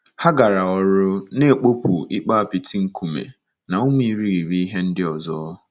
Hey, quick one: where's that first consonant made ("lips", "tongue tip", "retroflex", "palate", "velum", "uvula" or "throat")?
throat